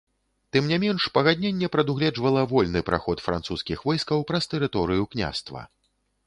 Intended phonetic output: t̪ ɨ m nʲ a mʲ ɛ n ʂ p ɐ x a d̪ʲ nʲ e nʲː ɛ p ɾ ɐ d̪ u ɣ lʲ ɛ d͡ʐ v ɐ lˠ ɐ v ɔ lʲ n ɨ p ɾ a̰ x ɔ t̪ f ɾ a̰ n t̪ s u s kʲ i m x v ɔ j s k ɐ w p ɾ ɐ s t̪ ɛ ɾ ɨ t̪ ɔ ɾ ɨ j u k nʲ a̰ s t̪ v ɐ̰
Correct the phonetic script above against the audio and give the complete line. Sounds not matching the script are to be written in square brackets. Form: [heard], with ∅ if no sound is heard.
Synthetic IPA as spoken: t̪ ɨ m nʲ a mʲ ɛ n ʂ p ɐ [ɣ] a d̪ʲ nʲ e nʲː ɛ p ɾ ɐ d̪ u ɣ lʲ ɛ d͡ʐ v ɐ lˠ ɐ v ɔ lʲ n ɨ p ɾ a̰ x ɔ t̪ f ɾ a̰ n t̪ s u s kʲ i [∅] x v ɔ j s k ɐ w p ɾ ɐ s t̪ ɛ ɾ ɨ t̪ ɔ ɾ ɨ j u k nʲ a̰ s t̪ v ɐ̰